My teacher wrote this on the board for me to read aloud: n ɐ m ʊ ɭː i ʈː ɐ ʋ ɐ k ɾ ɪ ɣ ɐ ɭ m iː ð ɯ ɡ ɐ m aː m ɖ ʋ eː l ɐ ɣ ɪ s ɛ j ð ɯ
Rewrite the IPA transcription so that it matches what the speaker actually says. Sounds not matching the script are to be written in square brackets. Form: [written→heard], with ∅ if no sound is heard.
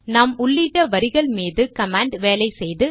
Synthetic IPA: n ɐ m ʊ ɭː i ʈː ɐ ʋ ɐ [k→∅] ɾ ɪ ɣ ɐ ɭ m iː ð ɯ [ɡ→k] ɐ m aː [m→ɳ] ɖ ʋ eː l ɐ [ɣ→∅] ɪ s ɛ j ð ɯ